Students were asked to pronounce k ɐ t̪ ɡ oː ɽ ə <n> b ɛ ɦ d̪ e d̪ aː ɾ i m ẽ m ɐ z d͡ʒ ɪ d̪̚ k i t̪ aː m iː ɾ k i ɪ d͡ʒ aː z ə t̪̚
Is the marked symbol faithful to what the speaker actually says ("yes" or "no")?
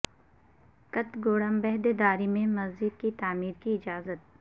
no